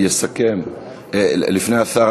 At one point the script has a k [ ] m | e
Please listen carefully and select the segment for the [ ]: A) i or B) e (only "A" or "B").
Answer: B